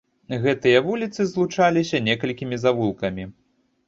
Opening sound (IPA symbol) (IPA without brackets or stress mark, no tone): ɣ